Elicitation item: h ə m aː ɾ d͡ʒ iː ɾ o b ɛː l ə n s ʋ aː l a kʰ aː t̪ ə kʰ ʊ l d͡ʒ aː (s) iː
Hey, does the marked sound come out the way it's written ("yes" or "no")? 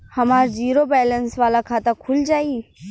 no